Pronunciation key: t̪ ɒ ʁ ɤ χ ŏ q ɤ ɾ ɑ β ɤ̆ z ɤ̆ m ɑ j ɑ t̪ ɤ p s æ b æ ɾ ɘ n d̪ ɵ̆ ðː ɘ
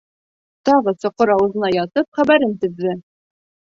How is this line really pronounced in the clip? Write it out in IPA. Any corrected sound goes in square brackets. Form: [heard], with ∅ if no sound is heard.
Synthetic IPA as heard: t̪ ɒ ʁ ɤ [s] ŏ q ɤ ɾ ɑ [w] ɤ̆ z ɤ̆ [n] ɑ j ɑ t̪ ɤ p [χ] æ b æ ɾ ɘ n [t̪] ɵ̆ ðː ɘ